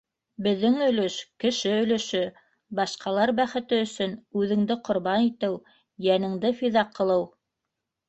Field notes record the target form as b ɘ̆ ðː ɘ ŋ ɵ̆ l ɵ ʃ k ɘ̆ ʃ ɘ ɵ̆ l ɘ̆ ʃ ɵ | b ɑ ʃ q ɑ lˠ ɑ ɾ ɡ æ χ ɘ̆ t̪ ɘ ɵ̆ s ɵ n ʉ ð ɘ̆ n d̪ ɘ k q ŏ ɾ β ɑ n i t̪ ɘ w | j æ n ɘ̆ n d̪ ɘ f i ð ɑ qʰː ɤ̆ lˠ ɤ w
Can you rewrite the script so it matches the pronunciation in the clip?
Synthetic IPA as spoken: b ɘ̆ ðː ɘ ŋ ɵ̆ l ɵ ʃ k ɘ̆ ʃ ɘ ɵ̆ l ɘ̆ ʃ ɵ | b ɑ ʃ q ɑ lˠ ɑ ɾ b æ χ ɘ̆ t̪ ɘ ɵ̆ s ɵ n ʉ ð ɘ̆ ŋ d̪ ɘ q ŏ ɾ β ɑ n i t̪ ɘ w | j æ n ɘ̆ ŋ d̪ ɘ f i ð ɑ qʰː ɤ̆ lˠ ɤ w